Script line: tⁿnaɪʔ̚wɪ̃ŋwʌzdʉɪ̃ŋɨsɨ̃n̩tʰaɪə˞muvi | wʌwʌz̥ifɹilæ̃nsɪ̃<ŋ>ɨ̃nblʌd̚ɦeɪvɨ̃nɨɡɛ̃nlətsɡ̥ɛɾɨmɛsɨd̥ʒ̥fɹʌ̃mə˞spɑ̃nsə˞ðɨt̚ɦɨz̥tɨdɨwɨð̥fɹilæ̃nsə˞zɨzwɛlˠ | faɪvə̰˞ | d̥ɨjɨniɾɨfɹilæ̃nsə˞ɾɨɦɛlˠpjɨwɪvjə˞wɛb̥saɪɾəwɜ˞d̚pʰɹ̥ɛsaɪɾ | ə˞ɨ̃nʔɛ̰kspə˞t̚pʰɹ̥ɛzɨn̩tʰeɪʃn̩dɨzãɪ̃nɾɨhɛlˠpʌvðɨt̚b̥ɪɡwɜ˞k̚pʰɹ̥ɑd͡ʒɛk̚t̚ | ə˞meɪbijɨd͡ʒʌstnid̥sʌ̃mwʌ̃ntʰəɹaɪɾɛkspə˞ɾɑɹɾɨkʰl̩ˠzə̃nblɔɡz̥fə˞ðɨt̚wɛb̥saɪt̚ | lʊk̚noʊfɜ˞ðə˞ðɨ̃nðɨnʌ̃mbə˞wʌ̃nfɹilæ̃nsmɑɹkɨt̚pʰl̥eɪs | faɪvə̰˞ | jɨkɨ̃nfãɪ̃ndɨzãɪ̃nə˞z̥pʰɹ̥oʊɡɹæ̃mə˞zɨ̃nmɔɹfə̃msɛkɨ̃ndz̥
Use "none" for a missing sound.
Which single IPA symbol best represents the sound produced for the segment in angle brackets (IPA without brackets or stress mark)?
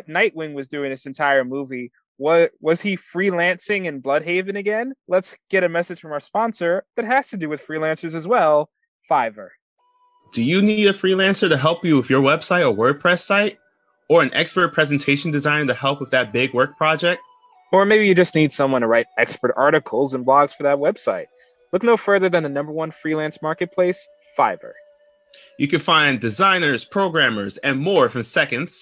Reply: ŋ